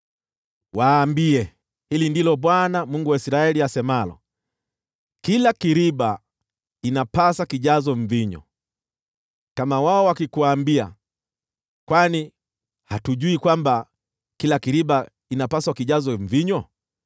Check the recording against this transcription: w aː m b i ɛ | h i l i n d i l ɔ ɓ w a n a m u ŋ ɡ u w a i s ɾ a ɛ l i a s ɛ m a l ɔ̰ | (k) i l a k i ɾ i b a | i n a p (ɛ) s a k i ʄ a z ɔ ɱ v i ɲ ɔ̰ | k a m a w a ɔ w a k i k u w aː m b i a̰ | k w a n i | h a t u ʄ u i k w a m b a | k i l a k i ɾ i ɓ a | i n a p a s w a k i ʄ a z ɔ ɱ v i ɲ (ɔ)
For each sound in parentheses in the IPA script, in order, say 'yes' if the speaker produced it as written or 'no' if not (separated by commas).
yes, no, yes